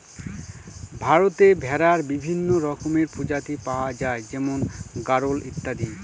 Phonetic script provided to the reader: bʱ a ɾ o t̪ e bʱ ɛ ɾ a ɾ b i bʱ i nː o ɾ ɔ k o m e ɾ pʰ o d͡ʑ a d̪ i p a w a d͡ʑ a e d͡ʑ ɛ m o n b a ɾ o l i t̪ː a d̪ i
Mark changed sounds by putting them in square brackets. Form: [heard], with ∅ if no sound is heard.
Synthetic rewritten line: bʱ a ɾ o t̪ e bʱ ɛ ɾ a ɾ b i bʱ i nː o ɾ ɔ k o m e ɾ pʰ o d͡ʑ a [t̪] i p a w a d͡ʑ a e d͡ʑ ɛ m o n [ɡ] a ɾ o l i t̪ː a d̪ i